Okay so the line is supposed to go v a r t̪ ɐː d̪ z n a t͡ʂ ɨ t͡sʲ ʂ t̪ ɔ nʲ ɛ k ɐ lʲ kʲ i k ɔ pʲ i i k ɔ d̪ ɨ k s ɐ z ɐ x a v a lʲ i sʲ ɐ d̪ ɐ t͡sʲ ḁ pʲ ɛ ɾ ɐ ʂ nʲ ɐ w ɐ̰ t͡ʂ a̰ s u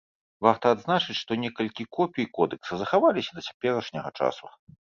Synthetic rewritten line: v a r t̪ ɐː d̪ z n a t͡ʂ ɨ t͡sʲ ʂ t̪ ɔ nʲ ɛ k ɐ lʲ kʲ i k ɔ pʲ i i k ɔ d̪ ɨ k s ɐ z ɐ x a v a lʲ i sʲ ɐ d̪ ɐ t͡sʲ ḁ pʲ ɛ ɾ ɐ ʂ nʲ ɐ ɣ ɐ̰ t͡ʂ a̰ s u